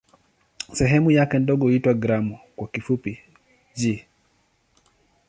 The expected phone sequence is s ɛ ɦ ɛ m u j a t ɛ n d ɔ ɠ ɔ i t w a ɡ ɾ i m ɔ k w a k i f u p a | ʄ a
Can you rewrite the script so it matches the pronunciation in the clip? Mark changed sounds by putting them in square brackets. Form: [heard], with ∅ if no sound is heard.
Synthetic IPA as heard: s ɛ ɦ ɛ m u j a [k] ɛ n d ɔ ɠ ɔ i t w a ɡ ɾ [a] m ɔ k w a k i f u p [i] | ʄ [i]